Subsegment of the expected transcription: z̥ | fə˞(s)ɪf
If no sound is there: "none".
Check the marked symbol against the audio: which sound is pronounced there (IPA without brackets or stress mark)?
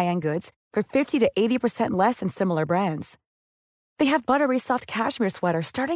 f